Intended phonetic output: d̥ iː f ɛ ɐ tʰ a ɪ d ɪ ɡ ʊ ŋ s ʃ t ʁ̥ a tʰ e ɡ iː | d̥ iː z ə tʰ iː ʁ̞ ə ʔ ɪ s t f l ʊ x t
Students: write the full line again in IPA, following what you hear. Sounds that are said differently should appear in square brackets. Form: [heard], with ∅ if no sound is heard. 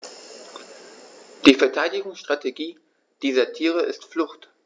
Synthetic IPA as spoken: d̥ iː f ɛ ɐ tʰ a ɪ d ɪ ɡ ʊ ŋ s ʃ t ʁ̥ a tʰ e ɡ iː | d̥ iː z [ɐ] tʰ iː ʁ̞ ə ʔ ɪ s t f l ʊ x t